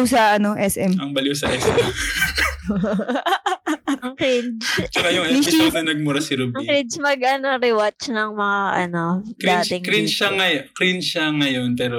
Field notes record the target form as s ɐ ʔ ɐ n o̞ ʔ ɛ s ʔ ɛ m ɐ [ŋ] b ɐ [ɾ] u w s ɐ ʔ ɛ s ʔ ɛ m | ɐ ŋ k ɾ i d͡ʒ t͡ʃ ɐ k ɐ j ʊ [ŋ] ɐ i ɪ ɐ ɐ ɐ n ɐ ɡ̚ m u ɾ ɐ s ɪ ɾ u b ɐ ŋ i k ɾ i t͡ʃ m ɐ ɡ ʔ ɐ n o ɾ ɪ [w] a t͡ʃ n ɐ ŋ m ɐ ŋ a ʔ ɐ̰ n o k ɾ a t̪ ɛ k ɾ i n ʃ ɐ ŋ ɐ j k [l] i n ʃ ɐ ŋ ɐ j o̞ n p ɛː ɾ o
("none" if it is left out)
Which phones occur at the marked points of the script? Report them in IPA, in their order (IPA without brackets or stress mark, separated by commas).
ŋ, l, ŋ, w, ɾ